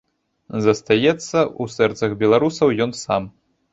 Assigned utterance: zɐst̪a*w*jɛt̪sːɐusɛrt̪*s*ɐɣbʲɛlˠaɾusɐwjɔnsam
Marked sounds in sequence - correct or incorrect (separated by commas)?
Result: incorrect, correct